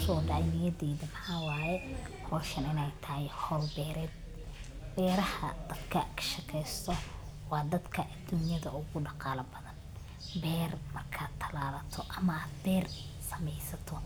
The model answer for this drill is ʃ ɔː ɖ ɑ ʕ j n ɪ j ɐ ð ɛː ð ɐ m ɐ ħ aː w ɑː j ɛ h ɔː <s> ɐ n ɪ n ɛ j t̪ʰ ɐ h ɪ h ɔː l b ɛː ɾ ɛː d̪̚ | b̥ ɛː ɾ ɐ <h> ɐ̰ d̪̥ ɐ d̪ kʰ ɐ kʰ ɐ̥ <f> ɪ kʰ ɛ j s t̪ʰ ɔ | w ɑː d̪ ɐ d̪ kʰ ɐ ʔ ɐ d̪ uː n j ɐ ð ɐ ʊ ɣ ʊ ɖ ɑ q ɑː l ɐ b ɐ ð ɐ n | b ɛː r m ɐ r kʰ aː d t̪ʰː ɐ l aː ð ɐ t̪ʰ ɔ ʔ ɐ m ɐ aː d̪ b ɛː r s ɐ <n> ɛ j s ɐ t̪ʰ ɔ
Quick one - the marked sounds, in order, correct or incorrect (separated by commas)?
incorrect, correct, incorrect, incorrect